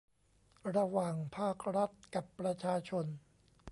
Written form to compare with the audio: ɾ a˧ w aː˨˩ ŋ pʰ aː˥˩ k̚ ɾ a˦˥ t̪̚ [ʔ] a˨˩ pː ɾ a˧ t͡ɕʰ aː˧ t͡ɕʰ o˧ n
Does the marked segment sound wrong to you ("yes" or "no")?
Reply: yes